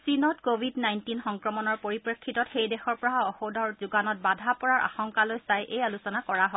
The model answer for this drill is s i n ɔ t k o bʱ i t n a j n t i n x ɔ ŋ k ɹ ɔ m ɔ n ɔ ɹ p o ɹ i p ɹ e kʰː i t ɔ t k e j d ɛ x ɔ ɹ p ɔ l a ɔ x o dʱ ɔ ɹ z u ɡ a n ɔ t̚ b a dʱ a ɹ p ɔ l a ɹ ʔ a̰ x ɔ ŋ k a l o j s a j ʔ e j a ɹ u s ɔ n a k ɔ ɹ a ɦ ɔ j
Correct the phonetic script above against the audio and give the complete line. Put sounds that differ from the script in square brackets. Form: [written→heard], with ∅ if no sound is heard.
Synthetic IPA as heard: s i n ɔ t k o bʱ i [t→d] n a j n t i n x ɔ ŋ k ɹ ɔ m ɔ n ɔ ɹ p o ɹ i p ɹ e kʰː i t ɔ t [k→x] e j d ɛ x ɔ ɹ p ɔ [l→ɹ] a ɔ x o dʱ ɔ ɹ z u ɡ a n ɔ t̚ b a dʱ a [ɹ→∅] p ɔ [l→ɹ] a ɹ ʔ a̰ x ɔ ŋ k a l o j s a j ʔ e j a [ɹ→l] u s ɔ n a k ɔ ɹ a ɦ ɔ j